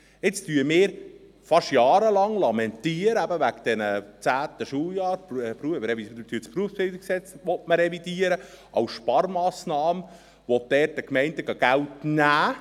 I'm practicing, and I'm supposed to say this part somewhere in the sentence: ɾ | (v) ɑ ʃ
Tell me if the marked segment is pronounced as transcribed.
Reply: no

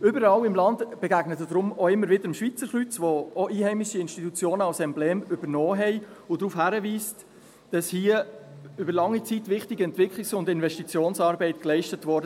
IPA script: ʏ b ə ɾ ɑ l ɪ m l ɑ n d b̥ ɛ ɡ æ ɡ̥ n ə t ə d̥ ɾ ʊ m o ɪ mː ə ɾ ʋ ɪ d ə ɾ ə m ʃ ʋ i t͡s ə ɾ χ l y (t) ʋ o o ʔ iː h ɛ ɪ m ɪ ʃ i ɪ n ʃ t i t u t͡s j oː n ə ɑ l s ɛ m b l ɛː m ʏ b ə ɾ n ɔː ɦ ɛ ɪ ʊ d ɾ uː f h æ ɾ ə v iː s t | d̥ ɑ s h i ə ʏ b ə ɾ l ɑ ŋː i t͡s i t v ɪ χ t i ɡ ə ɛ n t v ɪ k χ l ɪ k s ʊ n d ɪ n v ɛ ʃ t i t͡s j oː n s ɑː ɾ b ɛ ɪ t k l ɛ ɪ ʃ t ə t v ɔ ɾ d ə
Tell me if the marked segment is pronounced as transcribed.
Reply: no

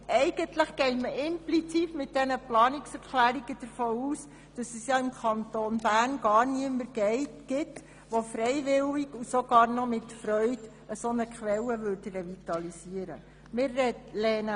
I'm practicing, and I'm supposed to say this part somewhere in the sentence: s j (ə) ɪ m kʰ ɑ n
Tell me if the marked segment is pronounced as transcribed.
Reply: no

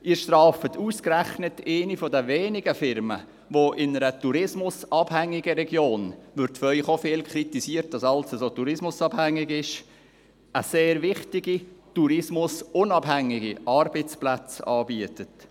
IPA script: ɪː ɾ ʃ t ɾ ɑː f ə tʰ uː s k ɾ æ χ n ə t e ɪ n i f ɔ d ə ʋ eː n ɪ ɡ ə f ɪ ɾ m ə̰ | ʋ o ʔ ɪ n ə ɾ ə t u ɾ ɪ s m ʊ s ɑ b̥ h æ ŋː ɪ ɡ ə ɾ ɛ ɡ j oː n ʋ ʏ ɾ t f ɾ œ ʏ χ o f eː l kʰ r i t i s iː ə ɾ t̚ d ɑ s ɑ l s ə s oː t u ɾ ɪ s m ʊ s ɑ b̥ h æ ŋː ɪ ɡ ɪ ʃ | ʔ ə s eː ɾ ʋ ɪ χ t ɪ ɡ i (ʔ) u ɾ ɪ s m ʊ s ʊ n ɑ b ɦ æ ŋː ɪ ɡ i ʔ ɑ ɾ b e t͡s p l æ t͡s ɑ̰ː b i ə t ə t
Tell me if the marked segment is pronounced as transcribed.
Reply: no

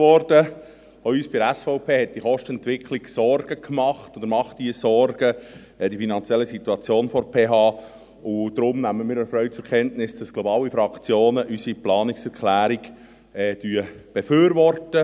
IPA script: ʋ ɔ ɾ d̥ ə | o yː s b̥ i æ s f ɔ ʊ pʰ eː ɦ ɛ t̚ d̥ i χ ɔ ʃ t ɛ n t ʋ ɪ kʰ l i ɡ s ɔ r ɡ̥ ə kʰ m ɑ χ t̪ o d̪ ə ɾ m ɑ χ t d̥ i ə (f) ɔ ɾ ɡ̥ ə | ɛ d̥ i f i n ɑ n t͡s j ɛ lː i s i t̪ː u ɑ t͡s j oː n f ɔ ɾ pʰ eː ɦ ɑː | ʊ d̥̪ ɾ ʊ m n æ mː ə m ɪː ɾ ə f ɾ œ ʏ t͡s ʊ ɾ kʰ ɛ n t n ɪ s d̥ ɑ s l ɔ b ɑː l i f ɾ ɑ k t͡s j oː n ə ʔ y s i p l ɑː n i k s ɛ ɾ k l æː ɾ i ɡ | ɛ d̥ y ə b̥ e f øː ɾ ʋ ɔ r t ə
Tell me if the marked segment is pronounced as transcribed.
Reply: no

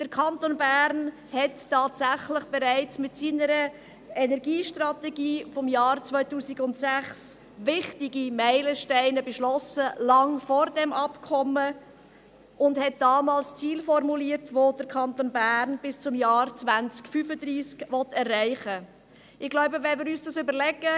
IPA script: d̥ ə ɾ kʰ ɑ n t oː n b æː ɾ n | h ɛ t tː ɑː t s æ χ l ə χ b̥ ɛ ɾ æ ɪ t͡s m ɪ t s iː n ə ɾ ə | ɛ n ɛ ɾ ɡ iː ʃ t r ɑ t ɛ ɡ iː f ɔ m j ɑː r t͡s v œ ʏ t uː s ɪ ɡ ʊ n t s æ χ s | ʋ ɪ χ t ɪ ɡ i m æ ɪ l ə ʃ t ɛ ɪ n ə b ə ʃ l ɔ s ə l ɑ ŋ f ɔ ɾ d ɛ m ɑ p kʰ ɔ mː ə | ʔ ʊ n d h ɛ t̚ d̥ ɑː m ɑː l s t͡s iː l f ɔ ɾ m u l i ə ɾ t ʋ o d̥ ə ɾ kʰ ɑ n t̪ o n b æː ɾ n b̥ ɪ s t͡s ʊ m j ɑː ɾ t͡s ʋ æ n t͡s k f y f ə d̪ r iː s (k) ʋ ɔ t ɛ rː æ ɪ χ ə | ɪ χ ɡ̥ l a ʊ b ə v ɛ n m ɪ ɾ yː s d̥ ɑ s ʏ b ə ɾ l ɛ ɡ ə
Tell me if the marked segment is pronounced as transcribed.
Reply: yes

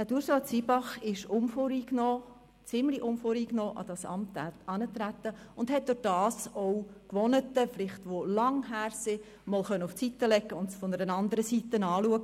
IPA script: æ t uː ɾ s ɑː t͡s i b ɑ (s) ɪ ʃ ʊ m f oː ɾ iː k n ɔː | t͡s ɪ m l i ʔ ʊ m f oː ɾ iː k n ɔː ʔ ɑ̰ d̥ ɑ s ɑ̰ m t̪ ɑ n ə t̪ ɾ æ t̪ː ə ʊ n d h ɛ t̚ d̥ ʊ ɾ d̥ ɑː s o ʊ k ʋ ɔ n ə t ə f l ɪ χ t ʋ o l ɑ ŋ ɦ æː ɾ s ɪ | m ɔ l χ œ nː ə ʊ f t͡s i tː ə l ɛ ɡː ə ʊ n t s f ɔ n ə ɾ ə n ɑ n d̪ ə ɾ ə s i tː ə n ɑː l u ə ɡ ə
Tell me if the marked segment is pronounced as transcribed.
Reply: no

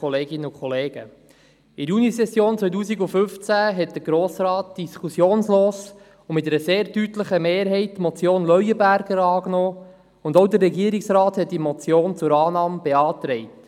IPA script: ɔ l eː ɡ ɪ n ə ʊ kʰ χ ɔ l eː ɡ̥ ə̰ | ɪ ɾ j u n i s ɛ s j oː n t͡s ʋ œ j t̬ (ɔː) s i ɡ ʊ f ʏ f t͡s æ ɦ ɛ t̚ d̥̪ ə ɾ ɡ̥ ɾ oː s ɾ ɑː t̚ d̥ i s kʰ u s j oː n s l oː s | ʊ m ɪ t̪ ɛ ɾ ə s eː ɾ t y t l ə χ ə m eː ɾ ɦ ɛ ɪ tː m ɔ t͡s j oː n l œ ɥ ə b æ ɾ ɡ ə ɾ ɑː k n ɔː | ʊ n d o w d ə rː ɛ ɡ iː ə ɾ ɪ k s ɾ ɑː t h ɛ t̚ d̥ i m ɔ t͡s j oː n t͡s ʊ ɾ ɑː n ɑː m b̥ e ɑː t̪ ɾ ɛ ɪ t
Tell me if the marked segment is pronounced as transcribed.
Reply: no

